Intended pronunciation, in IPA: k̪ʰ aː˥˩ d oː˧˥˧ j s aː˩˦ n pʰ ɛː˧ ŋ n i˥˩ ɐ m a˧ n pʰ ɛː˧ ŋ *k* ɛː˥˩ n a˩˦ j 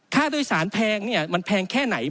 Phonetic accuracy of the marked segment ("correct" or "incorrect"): incorrect